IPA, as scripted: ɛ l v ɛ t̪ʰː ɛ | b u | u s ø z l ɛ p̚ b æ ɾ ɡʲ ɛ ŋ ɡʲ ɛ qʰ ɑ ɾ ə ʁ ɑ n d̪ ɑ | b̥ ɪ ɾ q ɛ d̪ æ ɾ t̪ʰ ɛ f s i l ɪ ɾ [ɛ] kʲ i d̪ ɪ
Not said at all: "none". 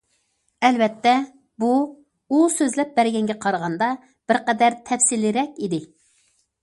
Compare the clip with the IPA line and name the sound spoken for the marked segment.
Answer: ɛ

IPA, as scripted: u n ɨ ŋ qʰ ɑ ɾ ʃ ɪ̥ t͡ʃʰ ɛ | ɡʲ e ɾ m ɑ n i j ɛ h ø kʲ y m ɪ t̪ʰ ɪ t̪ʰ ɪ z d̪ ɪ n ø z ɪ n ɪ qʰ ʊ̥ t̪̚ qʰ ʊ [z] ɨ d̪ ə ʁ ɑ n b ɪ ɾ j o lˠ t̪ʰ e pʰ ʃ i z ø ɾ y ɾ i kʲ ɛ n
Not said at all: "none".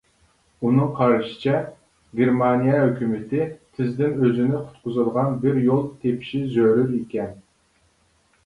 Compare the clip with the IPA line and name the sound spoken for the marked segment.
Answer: z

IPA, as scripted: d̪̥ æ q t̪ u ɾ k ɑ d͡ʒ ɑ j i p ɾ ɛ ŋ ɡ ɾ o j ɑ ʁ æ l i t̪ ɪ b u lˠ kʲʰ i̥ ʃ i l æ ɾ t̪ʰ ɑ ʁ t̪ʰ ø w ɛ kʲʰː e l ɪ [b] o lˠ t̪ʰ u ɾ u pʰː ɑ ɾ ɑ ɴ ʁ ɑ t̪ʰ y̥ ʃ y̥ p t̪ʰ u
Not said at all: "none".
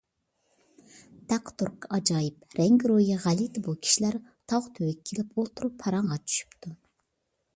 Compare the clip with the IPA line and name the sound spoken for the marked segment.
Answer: p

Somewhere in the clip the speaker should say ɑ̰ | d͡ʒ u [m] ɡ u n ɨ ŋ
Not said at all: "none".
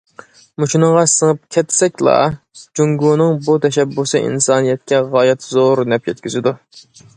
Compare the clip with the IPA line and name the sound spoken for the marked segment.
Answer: ŋ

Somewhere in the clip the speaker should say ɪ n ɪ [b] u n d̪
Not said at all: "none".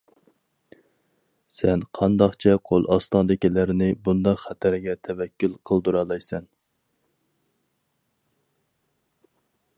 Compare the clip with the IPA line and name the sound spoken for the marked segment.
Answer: b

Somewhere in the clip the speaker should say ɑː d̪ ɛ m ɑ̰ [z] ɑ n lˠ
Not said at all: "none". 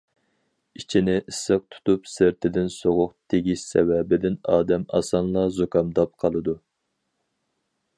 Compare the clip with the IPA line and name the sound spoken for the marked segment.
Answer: s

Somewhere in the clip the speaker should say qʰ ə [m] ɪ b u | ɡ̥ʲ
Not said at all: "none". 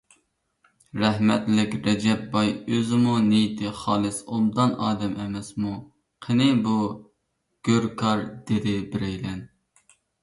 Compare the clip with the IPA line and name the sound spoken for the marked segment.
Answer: n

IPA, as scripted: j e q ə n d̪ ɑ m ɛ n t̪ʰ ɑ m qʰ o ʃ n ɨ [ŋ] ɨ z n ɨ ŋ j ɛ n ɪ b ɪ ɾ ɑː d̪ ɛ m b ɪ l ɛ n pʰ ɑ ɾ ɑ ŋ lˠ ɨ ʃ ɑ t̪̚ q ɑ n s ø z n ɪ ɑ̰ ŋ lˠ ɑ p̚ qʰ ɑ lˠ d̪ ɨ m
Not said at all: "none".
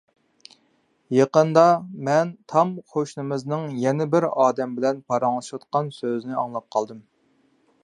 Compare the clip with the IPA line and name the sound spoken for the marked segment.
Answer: m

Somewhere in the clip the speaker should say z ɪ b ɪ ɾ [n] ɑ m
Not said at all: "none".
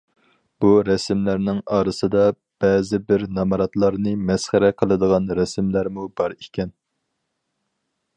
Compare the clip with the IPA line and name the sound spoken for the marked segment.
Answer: n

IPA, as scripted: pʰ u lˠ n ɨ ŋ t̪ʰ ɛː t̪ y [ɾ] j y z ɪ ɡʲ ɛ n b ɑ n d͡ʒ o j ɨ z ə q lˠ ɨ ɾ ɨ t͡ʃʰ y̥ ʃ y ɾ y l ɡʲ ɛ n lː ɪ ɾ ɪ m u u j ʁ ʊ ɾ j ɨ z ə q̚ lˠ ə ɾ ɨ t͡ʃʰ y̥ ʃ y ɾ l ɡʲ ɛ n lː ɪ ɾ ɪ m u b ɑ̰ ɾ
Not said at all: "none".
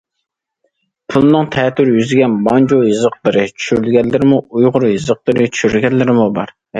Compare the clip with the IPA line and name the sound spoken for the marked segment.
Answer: ɾ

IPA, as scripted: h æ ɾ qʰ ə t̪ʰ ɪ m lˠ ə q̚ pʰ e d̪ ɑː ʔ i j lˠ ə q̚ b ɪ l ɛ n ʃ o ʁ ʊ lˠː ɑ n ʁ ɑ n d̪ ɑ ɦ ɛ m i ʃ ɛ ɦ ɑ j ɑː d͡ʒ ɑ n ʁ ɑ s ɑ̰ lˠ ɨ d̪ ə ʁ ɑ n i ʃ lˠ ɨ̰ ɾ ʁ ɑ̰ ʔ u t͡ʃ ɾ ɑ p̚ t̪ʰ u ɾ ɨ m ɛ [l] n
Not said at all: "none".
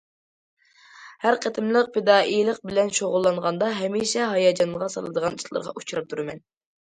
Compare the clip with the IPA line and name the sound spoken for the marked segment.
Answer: none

